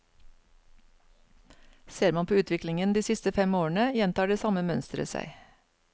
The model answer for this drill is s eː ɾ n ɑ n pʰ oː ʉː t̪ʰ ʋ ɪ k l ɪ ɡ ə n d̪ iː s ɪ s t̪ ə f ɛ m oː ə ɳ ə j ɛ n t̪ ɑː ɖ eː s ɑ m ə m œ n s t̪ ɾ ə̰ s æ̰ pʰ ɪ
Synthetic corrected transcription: s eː ɾ m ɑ n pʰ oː ʉː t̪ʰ ʋ ɪ k l ɪ ŋ ə n d̪ iː s ɪ s t̪ ə f ɛ m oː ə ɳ ə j ɛ n t̪ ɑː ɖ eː s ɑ m ə m œ n s t̪ ɾ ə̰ s æ̰ ɪ